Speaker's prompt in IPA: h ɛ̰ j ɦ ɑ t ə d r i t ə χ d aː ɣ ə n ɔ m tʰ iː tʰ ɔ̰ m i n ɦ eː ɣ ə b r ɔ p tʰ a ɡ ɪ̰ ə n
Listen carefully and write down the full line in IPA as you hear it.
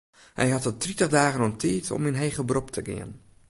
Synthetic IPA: h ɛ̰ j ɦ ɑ t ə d r i t ə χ d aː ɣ ə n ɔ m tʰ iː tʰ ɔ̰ m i n ɦ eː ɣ ə b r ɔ p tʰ ə ɡ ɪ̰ ə n